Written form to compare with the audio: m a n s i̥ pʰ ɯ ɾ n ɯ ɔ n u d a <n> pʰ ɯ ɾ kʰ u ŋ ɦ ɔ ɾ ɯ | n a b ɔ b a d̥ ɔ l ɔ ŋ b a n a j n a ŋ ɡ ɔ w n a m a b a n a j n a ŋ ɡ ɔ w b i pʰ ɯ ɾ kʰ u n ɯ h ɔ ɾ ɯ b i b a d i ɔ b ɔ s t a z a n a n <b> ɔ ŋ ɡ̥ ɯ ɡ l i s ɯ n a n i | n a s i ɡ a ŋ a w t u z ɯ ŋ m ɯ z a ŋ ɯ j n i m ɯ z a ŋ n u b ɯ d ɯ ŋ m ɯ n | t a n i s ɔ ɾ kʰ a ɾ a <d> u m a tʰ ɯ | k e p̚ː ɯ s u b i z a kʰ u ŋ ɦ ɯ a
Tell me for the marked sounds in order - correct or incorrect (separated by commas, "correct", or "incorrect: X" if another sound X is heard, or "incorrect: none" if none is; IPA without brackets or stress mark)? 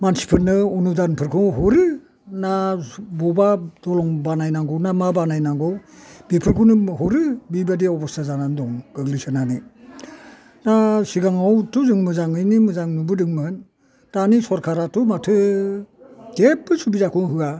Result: correct, incorrect: d, incorrect: t